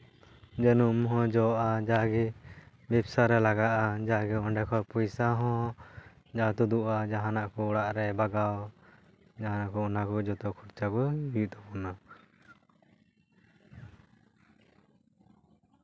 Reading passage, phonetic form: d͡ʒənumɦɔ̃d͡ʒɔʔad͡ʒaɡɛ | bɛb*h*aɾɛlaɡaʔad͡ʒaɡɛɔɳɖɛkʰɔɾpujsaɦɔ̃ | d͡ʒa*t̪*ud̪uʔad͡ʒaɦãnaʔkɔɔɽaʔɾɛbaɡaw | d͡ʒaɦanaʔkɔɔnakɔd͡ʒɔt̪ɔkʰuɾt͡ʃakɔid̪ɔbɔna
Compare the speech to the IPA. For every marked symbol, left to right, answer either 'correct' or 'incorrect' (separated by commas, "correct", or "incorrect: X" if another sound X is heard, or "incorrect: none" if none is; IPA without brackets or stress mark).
incorrect: s, correct